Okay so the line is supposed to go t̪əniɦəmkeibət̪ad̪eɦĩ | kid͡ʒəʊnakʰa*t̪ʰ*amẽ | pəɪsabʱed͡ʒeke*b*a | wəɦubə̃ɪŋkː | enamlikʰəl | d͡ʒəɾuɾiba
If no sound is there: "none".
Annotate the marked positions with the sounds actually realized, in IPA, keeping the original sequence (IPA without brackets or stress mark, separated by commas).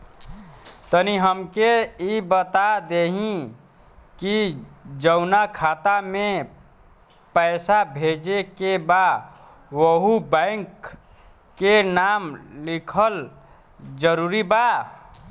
t̪, b